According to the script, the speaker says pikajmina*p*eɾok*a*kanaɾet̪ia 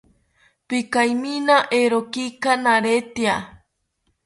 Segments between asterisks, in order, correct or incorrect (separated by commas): incorrect, incorrect